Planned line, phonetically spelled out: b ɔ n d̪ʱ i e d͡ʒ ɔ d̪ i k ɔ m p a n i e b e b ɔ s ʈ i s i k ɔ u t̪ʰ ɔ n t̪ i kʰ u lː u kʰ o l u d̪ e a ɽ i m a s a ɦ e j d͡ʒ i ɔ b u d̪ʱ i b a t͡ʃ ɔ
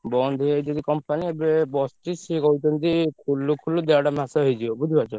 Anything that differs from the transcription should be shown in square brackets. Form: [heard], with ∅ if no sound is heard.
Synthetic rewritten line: b ɔ n d̪ʱ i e d͡ʒ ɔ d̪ i k ɔ m p a n i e b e b ɔ s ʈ i s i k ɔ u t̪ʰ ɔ n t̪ i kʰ u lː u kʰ [u] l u d̪ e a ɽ [a] m a s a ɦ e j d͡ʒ i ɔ b u d̪ʱ i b a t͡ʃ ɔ